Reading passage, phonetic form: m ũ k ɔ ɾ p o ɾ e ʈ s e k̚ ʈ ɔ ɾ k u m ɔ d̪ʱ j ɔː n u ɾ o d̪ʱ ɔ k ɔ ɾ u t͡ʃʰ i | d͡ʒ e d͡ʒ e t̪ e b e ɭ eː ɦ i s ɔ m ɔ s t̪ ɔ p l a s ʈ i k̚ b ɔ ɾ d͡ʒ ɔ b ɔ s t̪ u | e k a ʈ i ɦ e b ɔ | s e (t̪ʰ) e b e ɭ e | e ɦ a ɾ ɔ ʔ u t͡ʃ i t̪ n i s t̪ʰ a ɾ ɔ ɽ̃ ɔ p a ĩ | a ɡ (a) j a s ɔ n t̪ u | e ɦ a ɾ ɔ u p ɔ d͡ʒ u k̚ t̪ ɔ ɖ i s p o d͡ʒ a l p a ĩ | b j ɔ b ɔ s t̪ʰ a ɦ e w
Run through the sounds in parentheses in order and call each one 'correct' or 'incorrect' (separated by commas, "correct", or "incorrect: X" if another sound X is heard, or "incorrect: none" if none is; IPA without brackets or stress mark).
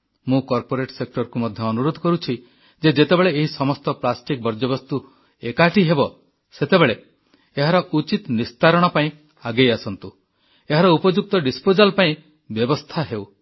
incorrect: t̪, incorrect: e